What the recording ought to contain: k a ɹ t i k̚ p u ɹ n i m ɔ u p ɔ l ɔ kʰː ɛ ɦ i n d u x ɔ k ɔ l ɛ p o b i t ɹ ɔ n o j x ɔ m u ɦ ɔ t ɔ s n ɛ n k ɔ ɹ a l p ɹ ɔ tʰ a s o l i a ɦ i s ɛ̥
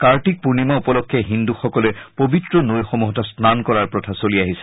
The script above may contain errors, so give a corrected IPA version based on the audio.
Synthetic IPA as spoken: k a ɹ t i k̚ p u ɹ n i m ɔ u p ɔ l ɔ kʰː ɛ ɦ i n d u x ɔ k ɔ l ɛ p o b i t ɹ ɔ n o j x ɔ m u ɦ ɔ t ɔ s n a n k ɔ ɹ a ɹ p ɹ ɔ tʰ a s o l i a ɦ i s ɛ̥

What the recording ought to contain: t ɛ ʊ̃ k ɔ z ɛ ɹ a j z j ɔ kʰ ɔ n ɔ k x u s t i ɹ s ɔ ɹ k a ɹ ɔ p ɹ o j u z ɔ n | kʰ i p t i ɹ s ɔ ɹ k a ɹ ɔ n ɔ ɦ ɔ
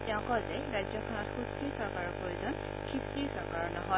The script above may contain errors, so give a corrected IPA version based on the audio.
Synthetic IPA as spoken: t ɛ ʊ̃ k ɔ z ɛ ɹ a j z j ɔ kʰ ɔ n ɔ t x u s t i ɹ s ɔ ɹ k a ɹ ɔ p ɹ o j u z ɔ n | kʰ i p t i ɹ s ɔ ɹ k a ɹ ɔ n ɔ ɦ ɔ

